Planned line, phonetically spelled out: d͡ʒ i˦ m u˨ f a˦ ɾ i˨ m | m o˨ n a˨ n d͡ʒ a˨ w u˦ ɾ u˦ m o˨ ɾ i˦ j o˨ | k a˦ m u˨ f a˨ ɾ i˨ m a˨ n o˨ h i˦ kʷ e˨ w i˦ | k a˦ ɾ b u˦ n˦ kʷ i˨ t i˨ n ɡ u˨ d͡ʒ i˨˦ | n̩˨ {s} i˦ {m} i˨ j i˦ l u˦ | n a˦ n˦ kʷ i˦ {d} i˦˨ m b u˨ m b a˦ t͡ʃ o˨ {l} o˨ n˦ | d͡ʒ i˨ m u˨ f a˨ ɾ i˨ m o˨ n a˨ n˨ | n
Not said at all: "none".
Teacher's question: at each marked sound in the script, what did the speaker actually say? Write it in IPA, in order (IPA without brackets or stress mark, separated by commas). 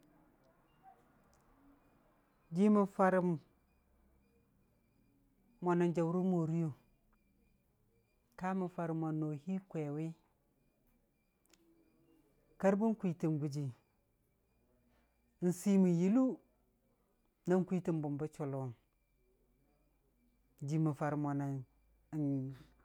s, m, t, l